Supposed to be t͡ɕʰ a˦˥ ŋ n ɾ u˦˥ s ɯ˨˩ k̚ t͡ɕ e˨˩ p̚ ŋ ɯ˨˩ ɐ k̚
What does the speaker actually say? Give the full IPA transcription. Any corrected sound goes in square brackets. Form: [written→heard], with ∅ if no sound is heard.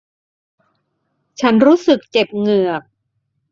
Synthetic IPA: t͡ɕʰ a˦˥ [ŋ→∅] n ɾ [u˦˥→uː˦˥] s ɯ˨˩ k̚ t͡ɕ e˨˩ p̚ ŋ ɯ˨˩ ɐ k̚